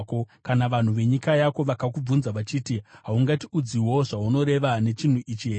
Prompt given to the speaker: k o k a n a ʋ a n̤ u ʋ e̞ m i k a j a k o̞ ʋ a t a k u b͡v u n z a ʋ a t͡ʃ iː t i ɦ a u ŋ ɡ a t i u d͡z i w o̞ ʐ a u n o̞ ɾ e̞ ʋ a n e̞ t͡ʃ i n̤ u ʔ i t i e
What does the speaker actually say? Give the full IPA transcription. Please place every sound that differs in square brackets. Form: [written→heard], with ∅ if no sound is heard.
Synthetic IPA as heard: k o k a n a ʋ a n̤ u ʋ e̞ [m→ɲ] i k a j a k o̞ ʋ a [t→k] a k u b͡v u n z a ʋ a t͡ʃ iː t i ɦ a u ŋ ɡ a t i u d͡z i w o̞ ʐ a u n o̞ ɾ e̞ ʋ a n e̞ t͡ʃ i n̤ u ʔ i [t→t͡ʃ] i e